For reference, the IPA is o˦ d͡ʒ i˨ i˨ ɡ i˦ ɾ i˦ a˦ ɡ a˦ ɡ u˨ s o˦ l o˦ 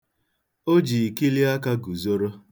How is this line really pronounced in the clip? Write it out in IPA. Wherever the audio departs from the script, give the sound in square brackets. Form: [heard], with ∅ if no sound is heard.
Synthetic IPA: o˦ d͡ʒ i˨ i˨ [k] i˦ [l] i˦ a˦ [k] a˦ ɡ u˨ [z] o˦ [ɾ] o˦